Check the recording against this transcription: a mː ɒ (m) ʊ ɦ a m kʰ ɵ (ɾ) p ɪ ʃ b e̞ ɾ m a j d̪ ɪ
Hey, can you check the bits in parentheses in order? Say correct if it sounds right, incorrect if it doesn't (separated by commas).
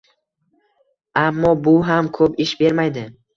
incorrect, incorrect